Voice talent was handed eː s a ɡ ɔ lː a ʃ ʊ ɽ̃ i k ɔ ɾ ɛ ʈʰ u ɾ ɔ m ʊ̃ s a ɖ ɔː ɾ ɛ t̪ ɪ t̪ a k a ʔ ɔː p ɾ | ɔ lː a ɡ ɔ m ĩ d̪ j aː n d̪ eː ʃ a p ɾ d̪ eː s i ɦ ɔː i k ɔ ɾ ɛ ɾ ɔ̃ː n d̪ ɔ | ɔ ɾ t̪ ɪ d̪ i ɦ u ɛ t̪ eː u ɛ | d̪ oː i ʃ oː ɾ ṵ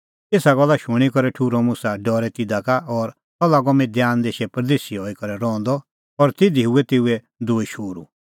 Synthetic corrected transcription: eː s a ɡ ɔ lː a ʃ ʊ ɽ̃ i k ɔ ɾ ɛ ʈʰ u ɾ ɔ m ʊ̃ s a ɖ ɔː ɾ ɛ t̪ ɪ d̪ a k a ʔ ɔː ɾ | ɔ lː a ɡ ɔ m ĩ d̪ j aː n d̪ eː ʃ ɛ p ɾ d̪ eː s i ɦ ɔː i k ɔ ɾ ɛ ɾ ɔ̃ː n d̪ ɔ | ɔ ɾ t̪ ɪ d̪ i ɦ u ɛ t̪ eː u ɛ | d̪ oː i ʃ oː ɾ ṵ

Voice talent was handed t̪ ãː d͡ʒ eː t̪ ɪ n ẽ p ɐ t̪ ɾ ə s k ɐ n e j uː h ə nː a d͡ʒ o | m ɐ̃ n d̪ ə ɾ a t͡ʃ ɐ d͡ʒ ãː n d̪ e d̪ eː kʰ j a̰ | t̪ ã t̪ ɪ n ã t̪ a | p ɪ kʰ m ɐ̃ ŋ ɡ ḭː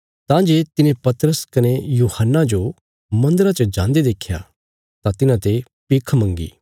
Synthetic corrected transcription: t̪ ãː d͡ʒ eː t̪ ɪ n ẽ p ɐ t̪ ɾ ə s k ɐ n e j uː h ə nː a d͡ʒ o | m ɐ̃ n d̪ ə ɾ a t͡ʃ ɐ d͡ʒ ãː n d̪ e d̪ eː kʰ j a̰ | t̪ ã t̪ ɪ n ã t̪ e | p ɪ kʰ m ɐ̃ ŋ ɡ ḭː

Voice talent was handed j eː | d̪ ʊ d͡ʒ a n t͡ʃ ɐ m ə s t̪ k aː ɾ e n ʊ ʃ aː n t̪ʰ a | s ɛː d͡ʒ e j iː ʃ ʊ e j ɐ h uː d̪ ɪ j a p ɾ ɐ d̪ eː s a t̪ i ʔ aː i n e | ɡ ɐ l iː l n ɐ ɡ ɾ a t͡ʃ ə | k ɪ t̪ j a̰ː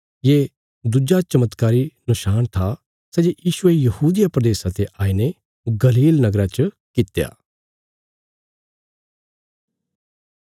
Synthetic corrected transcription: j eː | d̪ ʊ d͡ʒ a t͡ʃ ɐ m ə t̪ k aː ɾ i n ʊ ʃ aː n t̪ʰ a | s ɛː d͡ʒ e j iː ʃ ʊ e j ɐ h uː d̪ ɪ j a p ɾ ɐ d̪ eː s a t̪ e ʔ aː i n e | ɡ ɐ l iː l n ɐ ɡ ɾ a t͡ʃ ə | k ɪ t̪ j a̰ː

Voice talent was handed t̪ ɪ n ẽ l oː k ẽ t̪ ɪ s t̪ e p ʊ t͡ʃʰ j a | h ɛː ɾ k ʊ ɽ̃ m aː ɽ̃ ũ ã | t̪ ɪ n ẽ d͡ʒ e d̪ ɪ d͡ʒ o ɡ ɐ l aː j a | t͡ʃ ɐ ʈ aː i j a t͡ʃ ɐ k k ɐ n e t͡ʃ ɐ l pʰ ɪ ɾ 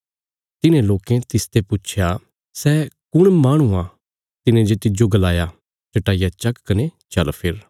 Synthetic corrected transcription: t̪ ɪ n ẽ l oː k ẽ t̪ ɪ s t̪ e p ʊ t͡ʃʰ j a | s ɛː k ʊ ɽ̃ m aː ɽ̃ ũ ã | t̪ ɪ n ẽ d͡ʒ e t̪ ɪ d͡ʒ o ɡ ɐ l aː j a | t͡ʃ ɐ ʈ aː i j a t͡ʃ ɐ k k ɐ n e t͡ʃ ɐ l pʰ ɪ ɾ

